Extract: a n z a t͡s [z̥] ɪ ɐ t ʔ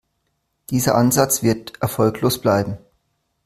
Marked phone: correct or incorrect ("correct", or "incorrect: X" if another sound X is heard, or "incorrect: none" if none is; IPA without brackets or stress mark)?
incorrect: v̥